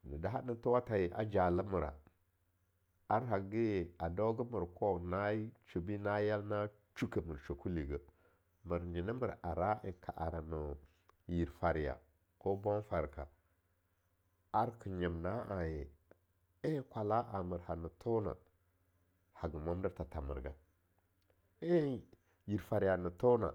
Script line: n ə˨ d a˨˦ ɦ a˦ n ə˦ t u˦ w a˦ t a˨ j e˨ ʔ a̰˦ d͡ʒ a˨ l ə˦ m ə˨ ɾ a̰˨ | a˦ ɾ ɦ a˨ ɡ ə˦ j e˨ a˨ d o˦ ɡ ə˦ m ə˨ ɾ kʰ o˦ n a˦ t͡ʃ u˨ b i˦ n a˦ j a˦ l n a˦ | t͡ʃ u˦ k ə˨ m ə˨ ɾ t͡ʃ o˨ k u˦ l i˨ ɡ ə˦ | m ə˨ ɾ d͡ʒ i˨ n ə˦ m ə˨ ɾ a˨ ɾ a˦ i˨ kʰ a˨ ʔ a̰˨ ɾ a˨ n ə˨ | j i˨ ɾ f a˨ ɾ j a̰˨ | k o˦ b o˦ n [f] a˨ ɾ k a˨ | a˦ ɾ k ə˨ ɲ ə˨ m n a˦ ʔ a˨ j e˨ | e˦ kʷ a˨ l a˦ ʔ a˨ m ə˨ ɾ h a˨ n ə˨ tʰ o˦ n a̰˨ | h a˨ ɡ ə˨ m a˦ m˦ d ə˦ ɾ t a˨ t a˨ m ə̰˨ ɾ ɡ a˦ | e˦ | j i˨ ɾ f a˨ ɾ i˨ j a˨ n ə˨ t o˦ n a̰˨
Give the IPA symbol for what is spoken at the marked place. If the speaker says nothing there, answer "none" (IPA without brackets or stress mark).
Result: f